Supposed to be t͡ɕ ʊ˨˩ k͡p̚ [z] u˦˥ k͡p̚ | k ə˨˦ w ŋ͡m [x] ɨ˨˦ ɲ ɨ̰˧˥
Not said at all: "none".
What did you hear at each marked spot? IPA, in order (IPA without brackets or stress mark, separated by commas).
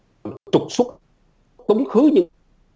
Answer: s, x